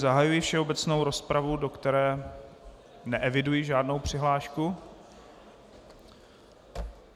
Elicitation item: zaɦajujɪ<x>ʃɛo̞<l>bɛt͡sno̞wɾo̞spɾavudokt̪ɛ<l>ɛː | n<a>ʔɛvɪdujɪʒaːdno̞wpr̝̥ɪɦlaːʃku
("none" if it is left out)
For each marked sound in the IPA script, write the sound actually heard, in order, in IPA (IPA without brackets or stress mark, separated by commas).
f, none, ɾ, ɛ